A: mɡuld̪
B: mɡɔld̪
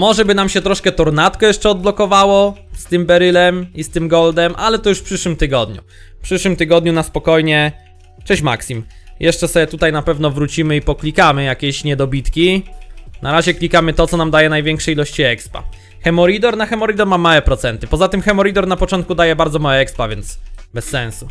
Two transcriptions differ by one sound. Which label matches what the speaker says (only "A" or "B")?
B